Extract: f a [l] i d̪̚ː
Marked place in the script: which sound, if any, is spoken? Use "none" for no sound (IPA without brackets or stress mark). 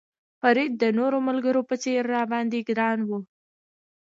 ɾ